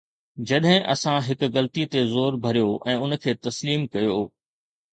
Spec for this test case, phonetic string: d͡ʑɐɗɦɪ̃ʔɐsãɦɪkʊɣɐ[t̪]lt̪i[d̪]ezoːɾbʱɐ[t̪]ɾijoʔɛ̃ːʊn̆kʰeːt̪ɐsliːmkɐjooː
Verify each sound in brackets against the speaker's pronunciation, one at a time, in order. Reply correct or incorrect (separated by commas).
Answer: incorrect, incorrect, incorrect